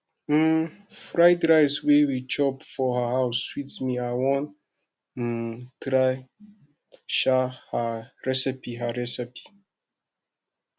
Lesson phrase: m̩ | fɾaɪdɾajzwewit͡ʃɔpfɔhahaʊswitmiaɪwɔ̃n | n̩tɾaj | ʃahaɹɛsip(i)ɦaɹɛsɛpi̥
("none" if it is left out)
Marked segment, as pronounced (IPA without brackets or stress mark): i